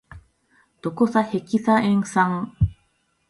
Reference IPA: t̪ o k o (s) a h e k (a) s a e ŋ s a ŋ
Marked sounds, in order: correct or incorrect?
correct, incorrect: i

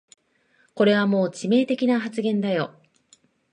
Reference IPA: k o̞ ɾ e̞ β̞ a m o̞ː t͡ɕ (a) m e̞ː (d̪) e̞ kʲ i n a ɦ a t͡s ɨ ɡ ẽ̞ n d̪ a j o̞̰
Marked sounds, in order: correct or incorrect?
incorrect: i, incorrect: t̪

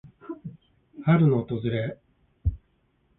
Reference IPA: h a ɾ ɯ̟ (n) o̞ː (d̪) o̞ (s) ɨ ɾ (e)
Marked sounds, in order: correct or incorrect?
correct, incorrect: t̪, incorrect: z, correct

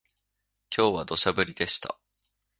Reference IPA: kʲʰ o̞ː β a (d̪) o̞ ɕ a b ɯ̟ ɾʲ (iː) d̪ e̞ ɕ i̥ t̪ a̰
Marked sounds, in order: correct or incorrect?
correct, incorrect: i

